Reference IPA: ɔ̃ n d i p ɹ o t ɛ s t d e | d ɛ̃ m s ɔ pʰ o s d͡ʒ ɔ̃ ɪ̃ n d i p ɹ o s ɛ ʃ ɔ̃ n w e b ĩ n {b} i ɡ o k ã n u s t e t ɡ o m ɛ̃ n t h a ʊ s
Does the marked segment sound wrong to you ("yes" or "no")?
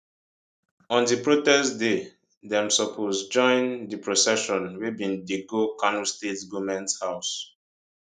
yes